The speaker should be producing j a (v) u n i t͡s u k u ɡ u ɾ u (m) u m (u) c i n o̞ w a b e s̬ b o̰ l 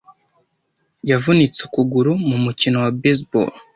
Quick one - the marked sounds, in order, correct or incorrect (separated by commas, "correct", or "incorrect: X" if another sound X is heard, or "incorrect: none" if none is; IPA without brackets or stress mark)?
correct, correct, correct